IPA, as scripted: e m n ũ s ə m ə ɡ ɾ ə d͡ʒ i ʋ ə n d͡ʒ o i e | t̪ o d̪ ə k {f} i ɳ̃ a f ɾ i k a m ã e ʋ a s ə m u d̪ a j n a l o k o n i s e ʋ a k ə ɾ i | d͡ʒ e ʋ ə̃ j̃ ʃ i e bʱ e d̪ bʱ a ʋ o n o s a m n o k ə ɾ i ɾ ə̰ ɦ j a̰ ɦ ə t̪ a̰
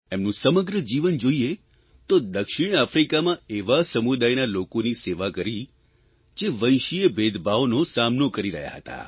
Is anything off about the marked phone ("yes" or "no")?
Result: yes